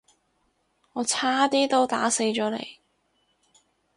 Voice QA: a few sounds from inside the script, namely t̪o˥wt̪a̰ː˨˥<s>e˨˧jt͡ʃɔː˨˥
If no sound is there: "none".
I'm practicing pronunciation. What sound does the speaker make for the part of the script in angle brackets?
s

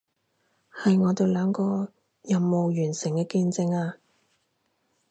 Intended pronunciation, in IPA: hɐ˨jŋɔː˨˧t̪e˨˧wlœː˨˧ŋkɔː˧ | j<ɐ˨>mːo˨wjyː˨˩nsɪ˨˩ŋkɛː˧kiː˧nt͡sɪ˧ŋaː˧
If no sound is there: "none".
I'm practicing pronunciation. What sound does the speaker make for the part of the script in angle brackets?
ɐ˨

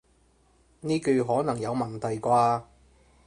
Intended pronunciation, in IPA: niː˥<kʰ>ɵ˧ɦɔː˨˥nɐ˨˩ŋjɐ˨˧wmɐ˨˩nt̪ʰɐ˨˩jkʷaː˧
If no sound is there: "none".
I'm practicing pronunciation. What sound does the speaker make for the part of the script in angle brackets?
k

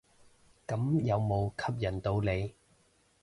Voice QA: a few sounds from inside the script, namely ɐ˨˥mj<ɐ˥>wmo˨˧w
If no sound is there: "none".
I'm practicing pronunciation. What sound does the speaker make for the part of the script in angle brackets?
ɐ˨˧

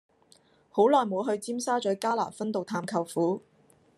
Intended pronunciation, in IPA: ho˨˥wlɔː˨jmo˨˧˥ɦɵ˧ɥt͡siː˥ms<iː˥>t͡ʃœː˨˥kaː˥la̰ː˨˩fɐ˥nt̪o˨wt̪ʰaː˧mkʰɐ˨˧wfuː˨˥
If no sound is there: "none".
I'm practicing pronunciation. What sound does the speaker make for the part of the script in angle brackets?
aː˥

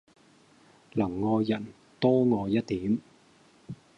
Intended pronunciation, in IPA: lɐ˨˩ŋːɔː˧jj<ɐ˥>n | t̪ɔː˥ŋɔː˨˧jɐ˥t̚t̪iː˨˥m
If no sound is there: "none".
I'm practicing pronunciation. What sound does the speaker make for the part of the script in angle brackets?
ɐ˨˩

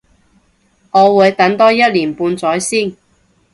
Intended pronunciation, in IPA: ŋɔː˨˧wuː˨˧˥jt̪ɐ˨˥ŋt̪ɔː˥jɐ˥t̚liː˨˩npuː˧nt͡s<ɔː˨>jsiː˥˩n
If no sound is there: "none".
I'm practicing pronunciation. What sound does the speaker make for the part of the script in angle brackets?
ɔː˨˥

